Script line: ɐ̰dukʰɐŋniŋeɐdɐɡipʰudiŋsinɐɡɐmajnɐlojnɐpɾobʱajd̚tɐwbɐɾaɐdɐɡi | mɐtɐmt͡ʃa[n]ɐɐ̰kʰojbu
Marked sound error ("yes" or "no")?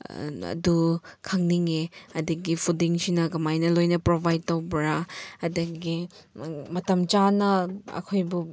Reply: no